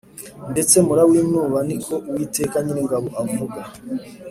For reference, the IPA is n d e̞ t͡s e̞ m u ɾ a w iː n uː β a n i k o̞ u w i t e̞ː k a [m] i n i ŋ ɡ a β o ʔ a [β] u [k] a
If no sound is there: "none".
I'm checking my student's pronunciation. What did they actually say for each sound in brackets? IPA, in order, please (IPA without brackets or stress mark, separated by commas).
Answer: ɲ, v, ɡ